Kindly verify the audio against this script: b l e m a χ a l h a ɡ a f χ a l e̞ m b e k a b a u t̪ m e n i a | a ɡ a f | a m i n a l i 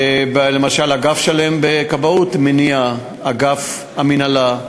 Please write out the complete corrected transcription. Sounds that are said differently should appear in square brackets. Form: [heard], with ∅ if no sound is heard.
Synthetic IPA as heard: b l e m a [ʃ] a l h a ɡ a f [ʃ] a l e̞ m b e k a b a u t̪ m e n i a | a ɡ a f | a m i n a l [a]